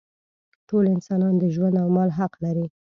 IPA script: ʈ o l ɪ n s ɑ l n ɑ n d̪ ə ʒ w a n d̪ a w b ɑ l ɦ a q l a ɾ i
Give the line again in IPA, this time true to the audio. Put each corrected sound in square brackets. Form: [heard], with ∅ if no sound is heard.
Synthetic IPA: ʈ o l ɪ n s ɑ [∅] n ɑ n d̪ ə ʒ w a n d̪ a w [m] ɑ l ɦ a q l a ɾ i